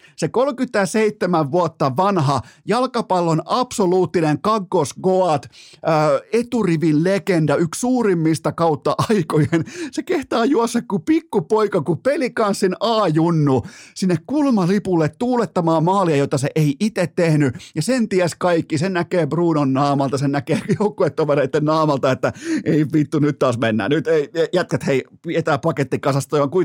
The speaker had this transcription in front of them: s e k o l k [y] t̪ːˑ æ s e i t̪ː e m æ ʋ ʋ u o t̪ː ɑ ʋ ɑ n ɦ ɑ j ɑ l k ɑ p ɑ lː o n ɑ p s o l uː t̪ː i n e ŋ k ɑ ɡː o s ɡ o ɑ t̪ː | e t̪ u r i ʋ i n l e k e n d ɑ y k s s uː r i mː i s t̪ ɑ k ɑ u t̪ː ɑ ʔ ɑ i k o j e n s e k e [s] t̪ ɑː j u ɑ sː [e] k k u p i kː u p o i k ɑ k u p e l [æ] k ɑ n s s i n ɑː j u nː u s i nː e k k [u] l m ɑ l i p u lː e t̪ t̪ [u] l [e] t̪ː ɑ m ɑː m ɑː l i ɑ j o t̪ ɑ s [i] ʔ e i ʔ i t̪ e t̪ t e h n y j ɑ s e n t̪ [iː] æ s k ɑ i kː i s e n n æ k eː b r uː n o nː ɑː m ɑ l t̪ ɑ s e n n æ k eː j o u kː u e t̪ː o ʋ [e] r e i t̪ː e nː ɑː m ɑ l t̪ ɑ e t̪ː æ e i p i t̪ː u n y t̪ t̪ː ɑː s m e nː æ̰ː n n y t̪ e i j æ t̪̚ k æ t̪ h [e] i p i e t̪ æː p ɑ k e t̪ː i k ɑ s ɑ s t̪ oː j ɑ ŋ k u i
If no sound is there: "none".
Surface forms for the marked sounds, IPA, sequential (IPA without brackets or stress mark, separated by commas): y, h, e, i, u, uː, e, e, i, e, e